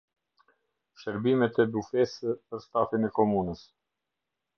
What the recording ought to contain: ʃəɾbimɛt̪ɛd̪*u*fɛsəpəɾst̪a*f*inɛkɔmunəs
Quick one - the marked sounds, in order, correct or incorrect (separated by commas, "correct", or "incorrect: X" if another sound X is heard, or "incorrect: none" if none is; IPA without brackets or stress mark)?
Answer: correct, correct